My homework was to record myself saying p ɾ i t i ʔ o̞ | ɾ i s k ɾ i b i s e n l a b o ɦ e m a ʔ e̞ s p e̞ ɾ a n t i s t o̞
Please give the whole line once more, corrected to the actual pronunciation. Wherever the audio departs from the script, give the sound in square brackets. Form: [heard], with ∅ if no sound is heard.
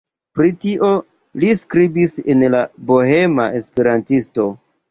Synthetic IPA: p ɾ i t i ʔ o̞ | [l] i s k ɾ i b i s e n l a b o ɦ e m a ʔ e̞ s p e̞ ɾ a n t i s t o̞